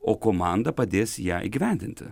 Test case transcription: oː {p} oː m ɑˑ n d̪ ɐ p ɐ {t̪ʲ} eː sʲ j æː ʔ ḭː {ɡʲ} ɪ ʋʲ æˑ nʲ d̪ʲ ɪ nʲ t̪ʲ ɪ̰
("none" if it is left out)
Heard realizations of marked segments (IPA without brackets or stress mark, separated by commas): k, d̪ʲ, ɡʲ